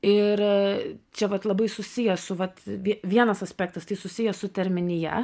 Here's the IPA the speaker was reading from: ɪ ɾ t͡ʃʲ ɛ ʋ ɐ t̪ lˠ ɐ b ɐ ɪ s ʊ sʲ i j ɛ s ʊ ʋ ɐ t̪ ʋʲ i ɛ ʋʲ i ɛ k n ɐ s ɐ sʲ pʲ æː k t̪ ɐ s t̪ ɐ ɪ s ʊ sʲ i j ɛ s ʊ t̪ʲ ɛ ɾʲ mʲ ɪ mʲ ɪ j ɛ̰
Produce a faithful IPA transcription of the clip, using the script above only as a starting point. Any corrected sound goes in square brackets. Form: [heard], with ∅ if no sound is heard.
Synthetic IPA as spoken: ɪ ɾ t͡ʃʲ ɛ ʋ ɐ t̪ lˠ ɐ b ɐ ɪ s ʊ sʲ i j ɛ s ʊ ʋ ɐ t̪ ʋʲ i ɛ ʋʲ i ɛ [∅] n ɐ s ɐ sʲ pʲ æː k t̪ ɐ s t̪ ɐ ɪ s ʊ sʲ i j ɛ s ʊ t̪ʲ ɛ ɾʲ mʲ ɪ [nʲ] ɪ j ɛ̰